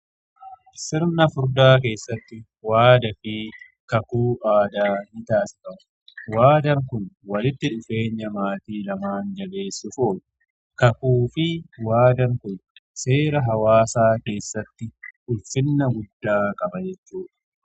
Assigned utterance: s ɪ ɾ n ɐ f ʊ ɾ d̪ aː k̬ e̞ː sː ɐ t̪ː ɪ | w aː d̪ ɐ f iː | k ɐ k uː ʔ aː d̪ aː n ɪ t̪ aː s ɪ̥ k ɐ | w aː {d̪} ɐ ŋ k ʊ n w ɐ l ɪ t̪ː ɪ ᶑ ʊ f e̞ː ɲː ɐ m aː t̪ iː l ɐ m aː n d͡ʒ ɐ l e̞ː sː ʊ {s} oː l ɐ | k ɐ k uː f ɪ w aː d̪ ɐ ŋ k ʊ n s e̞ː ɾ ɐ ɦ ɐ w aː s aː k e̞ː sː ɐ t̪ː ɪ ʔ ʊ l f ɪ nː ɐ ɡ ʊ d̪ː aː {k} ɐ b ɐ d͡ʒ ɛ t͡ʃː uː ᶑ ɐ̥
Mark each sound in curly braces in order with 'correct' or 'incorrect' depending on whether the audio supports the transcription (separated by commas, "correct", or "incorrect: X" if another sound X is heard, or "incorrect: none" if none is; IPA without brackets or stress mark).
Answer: correct, incorrect: f, incorrect: kʼ